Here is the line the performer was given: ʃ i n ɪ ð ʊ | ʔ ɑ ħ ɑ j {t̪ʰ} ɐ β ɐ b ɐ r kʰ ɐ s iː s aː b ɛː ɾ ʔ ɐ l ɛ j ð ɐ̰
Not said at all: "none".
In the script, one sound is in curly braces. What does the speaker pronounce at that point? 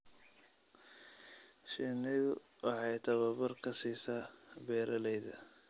t̪ʰ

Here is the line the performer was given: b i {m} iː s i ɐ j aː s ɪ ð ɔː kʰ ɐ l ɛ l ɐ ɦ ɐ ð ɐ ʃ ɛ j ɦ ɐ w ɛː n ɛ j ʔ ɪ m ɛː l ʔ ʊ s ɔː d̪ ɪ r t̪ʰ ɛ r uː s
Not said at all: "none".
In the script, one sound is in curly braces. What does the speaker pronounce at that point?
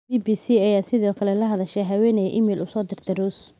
b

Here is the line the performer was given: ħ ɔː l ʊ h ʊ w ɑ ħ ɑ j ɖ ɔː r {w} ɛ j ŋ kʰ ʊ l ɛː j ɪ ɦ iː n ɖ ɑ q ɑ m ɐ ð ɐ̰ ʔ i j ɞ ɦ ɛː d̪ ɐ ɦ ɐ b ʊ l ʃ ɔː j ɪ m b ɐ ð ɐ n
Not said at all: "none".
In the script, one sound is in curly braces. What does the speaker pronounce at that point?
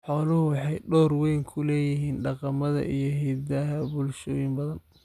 w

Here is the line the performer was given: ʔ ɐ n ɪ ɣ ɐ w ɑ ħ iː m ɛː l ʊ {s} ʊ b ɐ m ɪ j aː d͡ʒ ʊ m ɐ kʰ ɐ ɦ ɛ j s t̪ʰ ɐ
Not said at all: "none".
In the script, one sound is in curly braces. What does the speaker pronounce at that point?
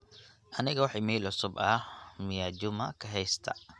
s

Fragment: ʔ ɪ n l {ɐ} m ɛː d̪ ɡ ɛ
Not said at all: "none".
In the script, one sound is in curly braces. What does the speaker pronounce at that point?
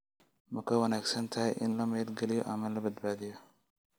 ɐ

